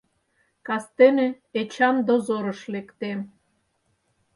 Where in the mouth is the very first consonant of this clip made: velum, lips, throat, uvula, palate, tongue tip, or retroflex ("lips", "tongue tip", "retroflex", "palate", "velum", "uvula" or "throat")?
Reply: velum